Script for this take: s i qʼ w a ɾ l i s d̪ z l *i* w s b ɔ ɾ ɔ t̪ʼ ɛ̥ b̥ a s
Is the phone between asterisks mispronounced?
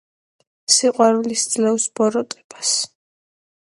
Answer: yes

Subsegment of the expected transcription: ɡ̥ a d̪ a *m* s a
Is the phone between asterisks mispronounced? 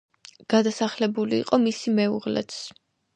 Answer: yes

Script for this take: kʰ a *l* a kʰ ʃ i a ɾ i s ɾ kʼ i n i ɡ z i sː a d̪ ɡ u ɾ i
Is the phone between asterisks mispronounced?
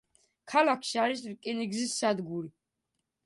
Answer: no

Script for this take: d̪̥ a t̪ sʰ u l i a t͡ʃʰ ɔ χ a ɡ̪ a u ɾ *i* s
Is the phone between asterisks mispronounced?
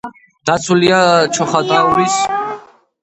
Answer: no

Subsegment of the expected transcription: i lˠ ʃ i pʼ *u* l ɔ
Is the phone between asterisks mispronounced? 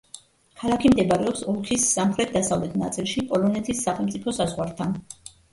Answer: yes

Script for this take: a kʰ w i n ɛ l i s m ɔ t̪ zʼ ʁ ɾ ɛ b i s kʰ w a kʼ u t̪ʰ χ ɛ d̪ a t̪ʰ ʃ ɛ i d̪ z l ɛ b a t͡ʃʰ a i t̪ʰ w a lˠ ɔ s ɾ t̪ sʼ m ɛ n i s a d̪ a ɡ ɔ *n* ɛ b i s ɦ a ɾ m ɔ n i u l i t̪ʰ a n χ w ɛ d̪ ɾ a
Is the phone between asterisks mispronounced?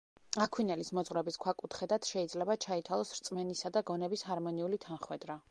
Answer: no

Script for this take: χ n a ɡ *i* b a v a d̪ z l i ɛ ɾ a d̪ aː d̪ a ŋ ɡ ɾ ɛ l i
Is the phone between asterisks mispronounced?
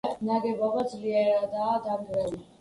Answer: yes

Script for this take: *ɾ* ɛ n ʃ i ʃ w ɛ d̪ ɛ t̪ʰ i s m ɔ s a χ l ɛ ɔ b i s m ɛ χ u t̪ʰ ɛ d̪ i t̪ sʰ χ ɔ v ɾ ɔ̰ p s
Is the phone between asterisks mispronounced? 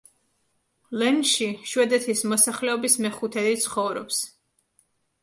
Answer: yes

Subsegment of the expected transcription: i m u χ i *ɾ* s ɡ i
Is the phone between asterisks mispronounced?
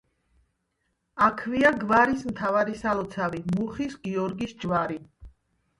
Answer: yes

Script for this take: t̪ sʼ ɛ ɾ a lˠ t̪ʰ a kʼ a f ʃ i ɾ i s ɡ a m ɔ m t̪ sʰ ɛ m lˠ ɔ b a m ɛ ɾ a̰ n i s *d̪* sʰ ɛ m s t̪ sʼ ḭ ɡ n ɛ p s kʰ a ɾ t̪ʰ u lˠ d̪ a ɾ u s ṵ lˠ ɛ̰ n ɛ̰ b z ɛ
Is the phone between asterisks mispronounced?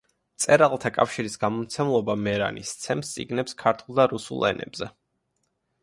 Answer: yes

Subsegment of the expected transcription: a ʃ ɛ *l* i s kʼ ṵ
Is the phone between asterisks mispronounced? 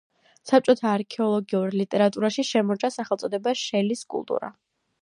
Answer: no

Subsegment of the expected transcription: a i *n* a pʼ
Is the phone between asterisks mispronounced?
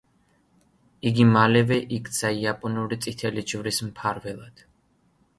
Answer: yes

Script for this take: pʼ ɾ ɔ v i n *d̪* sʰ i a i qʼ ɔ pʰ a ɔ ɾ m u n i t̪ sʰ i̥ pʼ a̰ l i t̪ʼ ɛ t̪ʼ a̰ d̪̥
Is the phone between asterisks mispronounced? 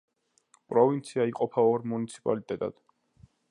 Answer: yes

